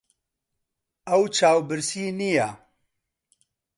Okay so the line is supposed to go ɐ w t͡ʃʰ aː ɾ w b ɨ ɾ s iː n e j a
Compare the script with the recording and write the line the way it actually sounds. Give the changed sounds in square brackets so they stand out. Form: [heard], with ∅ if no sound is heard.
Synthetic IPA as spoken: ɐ w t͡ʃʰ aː [∅] w b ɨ ɾ s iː n [i] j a